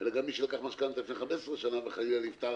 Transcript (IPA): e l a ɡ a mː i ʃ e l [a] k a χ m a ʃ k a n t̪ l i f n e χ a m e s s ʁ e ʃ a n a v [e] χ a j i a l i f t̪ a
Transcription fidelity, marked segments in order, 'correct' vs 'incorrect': correct, correct

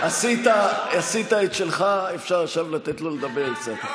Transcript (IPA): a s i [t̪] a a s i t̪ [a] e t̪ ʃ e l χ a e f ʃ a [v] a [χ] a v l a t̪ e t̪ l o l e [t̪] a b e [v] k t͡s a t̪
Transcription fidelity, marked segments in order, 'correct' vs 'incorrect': correct, correct, incorrect: ʁ, incorrect: ʃ, incorrect: d̪, incorrect: ʁ

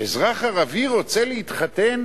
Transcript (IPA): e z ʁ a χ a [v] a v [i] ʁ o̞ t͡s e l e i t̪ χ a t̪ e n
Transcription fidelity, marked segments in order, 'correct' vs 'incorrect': incorrect: ʁ, correct

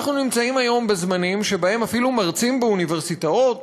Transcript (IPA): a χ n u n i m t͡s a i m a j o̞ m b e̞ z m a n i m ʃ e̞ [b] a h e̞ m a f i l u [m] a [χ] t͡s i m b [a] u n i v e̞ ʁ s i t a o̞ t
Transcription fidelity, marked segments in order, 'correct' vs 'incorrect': correct, correct, incorrect: ʁ, incorrect: e

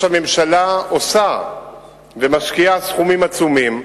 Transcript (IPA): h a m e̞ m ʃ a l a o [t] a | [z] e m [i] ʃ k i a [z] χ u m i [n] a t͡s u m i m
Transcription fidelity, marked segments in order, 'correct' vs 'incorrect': incorrect: s, incorrect: v, incorrect: a, incorrect: s, incorrect: m

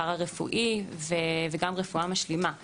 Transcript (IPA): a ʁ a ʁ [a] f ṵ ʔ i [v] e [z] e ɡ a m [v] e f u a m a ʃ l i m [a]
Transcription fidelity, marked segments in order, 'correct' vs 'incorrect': incorrect: e, correct, incorrect: v, incorrect: ʁ, correct

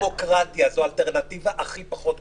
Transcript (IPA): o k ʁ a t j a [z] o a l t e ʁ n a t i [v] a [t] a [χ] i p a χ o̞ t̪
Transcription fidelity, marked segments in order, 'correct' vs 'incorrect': correct, correct, incorrect: ʔ, correct

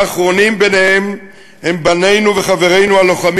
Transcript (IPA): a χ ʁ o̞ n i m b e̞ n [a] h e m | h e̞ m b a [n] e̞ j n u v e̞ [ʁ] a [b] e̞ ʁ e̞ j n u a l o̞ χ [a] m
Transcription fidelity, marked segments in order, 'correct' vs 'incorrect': incorrect: e, correct, incorrect: χ, incorrect: v, correct

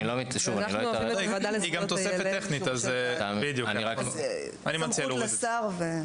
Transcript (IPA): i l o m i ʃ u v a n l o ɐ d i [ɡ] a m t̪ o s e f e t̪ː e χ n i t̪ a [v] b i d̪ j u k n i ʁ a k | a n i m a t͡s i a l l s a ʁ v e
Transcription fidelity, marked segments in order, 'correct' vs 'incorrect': correct, incorrect: z

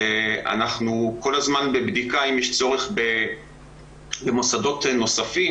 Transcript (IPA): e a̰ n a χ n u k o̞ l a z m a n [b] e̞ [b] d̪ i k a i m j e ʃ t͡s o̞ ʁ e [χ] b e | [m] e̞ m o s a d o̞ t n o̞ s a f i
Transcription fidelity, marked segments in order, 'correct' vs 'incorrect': correct, correct, correct, incorrect: b

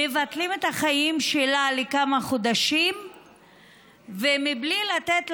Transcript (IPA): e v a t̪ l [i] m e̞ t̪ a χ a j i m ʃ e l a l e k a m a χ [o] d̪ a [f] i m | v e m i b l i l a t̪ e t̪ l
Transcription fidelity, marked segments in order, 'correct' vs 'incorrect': correct, correct, incorrect: ʃ

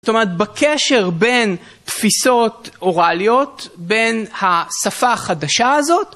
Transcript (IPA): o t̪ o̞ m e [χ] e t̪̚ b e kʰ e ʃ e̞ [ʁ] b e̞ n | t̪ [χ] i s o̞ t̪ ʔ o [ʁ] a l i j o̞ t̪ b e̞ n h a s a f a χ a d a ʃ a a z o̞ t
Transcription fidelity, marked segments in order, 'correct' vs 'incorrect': incorrect: ʁ, correct, incorrect: f, correct

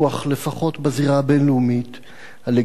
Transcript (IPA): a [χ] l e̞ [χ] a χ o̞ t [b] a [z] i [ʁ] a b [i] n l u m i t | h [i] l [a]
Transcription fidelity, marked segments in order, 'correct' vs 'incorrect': correct, incorrect: f, correct, correct, correct, incorrect: e, incorrect: a, incorrect: e

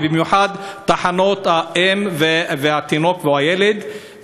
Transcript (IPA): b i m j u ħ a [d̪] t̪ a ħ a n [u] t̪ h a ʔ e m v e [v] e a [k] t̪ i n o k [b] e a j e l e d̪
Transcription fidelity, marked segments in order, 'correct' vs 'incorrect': correct, incorrect: o, correct, incorrect: none, incorrect: v

